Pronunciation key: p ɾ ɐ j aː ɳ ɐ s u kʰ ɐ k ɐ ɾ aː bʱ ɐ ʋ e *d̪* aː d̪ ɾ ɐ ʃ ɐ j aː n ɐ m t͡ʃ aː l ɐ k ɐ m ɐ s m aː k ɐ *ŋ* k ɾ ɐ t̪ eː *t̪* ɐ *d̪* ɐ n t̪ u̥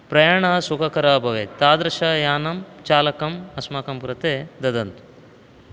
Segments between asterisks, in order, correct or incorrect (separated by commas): incorrect, incorrect, incorrect, correct